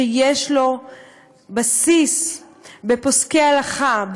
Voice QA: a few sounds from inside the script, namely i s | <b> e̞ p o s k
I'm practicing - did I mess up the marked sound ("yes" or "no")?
no